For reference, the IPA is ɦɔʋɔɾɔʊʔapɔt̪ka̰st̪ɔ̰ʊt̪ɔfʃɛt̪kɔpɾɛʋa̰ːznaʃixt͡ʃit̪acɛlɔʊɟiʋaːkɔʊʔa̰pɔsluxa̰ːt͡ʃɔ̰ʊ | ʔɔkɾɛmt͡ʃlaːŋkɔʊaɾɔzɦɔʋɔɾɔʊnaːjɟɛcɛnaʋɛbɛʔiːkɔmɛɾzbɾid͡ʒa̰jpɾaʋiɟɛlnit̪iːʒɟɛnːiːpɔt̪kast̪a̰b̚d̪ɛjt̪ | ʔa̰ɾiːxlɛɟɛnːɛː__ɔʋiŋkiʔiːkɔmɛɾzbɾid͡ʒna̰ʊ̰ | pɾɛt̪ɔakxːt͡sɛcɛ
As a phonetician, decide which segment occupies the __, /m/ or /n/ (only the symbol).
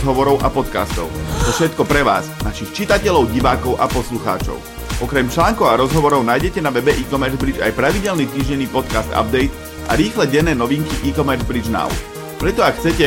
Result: n